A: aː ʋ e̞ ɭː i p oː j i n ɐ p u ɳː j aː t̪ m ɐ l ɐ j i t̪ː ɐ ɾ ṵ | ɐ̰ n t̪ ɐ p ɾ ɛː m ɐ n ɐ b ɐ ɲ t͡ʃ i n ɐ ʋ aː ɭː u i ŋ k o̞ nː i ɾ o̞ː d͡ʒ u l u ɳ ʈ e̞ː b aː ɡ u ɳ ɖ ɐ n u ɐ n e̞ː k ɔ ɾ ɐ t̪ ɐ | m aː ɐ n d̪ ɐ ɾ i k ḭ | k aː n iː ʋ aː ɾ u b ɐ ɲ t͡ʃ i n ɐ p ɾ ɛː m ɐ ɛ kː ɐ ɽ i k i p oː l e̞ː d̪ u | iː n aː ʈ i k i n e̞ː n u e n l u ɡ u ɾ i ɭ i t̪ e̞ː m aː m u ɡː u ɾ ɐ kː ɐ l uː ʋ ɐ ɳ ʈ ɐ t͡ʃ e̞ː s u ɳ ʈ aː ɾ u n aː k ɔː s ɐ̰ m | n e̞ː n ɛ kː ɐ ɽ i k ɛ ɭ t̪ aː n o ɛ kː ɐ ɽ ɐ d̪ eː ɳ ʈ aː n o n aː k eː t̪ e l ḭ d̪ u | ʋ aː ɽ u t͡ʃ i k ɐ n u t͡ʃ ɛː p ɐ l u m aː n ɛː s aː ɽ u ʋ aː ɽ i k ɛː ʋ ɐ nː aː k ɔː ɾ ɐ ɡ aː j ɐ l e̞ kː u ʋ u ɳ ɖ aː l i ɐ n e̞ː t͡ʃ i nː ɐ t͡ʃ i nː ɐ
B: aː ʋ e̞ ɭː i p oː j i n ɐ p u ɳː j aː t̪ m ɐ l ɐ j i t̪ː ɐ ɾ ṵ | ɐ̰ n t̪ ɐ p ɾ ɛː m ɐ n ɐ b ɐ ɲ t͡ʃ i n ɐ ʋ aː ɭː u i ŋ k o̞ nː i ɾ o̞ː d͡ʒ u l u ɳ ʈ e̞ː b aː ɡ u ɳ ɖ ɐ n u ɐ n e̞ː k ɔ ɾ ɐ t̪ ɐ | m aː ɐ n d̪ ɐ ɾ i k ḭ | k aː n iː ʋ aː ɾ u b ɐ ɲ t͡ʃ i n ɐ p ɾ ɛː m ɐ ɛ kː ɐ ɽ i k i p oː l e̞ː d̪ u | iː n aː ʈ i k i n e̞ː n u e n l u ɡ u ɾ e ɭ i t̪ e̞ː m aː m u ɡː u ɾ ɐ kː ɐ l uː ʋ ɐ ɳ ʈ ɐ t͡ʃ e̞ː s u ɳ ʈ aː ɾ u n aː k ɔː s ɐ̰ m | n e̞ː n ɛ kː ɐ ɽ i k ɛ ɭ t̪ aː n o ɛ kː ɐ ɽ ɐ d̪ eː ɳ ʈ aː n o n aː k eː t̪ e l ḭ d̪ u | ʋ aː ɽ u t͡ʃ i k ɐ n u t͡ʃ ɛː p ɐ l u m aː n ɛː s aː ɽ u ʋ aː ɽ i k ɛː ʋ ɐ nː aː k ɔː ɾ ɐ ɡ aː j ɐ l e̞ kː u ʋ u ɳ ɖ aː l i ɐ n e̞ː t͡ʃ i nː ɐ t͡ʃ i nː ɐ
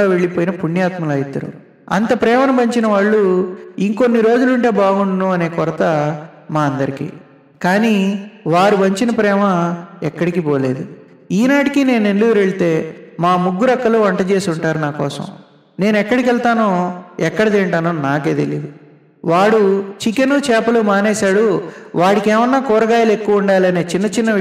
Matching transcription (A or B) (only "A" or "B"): B